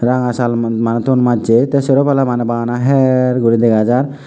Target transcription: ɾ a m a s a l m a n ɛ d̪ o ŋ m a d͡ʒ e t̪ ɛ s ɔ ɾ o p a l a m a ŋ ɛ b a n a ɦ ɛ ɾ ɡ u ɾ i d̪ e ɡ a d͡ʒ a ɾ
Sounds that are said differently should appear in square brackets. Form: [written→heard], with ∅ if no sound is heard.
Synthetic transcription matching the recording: ɾ a [m→ŋ] a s a l m a n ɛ [d̪→t̪] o [ŋ→n] m a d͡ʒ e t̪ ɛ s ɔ ɾ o p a l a m a [ŋ→n] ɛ b a n a ɦ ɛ ɾ ɡ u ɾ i d̪ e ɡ a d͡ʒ a ɾ